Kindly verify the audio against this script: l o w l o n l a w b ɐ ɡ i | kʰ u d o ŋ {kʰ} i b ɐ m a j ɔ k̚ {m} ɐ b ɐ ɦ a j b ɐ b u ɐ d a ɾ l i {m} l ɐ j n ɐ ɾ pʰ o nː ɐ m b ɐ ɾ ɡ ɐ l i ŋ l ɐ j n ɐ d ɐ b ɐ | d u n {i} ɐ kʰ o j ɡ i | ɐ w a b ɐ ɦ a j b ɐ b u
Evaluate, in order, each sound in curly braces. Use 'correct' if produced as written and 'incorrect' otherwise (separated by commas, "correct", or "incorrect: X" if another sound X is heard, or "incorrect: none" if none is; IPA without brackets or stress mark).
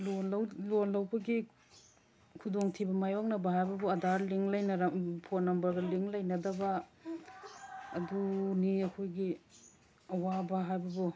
incorrect: tʰ, incorrect: n, incorrect: ŋ, correct